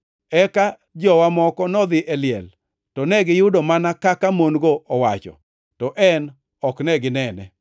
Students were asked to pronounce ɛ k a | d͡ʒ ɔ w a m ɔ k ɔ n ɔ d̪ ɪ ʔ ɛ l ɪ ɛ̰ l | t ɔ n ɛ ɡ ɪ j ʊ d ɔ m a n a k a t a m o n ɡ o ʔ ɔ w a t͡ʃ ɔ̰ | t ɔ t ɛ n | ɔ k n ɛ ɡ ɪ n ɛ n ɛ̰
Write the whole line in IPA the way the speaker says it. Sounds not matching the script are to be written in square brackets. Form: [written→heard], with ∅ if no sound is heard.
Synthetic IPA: ɛ k a | d͡ʒ ɔ w a m ɔ k ɔ n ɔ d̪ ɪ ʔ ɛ l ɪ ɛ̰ l | t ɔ n ɛ ɡ ɪ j ʊ d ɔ m a n a k a [t→k] a m o n ɡ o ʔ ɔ w a t͡ʃ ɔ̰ | t ɔ [t→ʔ] ɛ n | ɔ k n ɛ ɡ ɪ n ɛ n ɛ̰